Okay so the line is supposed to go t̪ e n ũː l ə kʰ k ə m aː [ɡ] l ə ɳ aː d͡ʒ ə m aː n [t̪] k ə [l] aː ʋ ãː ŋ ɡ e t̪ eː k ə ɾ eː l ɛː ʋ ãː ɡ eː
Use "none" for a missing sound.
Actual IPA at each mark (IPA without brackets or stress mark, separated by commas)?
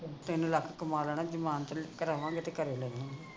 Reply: none, t̪, ɾ